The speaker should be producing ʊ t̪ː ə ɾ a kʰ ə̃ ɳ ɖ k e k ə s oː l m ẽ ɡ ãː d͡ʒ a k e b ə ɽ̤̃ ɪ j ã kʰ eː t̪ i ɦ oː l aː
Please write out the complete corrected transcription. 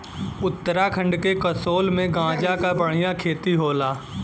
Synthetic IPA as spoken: ʊ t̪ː ə ɾ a kʰ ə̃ ɳ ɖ k e k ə s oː l m ẽ ɡ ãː d͡ʒ a k a b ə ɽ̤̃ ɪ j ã kʰ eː t̪ i ɦ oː l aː